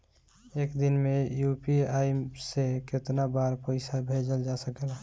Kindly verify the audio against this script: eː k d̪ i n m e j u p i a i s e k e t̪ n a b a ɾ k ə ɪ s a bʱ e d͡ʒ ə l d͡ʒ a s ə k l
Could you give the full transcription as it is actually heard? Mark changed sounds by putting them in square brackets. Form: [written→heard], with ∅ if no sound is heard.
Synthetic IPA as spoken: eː k d̪ i n m e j u p i a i s e k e t̪ n a b a ɾ [k→p] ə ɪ s a bʱ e d͡ʒ ə l d͡ʒ a s ə k l